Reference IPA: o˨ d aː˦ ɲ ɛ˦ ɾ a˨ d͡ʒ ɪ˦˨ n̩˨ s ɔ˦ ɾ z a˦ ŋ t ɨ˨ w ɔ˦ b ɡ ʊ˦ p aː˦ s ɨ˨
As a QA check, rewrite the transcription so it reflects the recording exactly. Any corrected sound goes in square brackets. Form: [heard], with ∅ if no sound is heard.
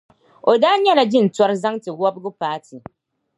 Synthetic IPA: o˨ d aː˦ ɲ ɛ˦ [l] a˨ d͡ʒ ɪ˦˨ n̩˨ [t] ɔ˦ ɾ z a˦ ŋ t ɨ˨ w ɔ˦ b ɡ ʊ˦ p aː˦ [t] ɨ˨